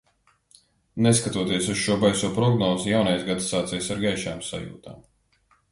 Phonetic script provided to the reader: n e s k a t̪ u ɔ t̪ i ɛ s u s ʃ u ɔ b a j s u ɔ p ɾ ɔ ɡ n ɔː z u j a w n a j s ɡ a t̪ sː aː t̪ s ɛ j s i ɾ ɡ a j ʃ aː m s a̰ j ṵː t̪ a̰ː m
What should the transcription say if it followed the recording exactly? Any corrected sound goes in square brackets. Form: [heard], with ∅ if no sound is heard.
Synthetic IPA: n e s k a t̪ u ɔ t̪ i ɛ s u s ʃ u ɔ b a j s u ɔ p ɾ ɔ ɡ n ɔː z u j a w n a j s ɡ a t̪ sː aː t̪ s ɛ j s [a] ɾ ɡ a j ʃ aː m s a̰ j ṵː t̪ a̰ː m